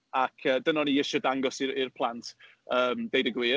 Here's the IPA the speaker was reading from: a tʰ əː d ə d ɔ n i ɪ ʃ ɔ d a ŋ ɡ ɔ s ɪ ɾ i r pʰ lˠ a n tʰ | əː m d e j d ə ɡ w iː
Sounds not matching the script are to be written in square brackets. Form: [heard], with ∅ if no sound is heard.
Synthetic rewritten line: a [kʰ] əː d ə [n] ɔ n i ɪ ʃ ɔ d a ŋ ɡ ɔ s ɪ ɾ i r pʰ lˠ a n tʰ | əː m d e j d ə ɡ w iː